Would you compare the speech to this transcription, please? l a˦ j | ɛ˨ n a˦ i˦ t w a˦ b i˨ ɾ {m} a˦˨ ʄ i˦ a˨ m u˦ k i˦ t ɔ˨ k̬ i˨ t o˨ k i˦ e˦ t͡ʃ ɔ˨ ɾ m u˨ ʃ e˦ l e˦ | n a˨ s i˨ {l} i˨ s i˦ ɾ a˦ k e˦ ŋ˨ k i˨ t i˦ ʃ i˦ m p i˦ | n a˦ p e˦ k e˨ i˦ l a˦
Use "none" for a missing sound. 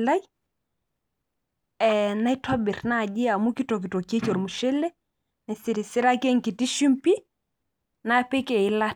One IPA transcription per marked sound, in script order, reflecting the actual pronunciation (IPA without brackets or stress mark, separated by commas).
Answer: n, ɾ